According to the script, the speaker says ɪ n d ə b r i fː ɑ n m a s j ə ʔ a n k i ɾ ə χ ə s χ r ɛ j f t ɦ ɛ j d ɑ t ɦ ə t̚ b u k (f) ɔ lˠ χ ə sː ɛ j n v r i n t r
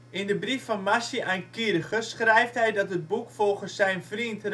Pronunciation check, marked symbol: correct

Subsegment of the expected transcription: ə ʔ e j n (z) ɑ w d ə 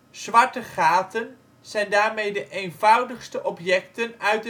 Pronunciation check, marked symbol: incorrect: v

